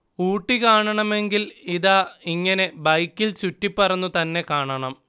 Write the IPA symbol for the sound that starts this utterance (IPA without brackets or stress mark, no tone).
uː